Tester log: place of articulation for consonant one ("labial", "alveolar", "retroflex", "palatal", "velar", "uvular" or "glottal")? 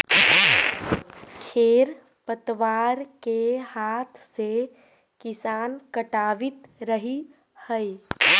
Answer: velar